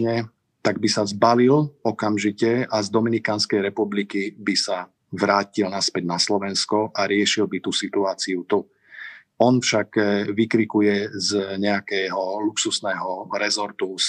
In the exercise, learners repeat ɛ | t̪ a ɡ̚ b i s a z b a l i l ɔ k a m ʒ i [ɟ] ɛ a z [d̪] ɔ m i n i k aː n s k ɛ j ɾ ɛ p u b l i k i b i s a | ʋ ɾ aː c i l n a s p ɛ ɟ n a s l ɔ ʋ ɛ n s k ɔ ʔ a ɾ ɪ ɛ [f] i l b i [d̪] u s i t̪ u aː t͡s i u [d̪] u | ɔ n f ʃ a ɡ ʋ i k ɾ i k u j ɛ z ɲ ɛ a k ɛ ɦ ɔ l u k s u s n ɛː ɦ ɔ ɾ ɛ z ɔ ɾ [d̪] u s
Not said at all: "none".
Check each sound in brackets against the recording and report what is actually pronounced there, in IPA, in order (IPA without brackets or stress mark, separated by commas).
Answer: c, d̪, ʃ, t̪, t̪, t̪